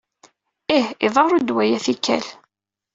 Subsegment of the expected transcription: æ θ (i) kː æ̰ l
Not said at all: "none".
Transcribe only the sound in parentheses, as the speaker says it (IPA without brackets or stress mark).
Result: i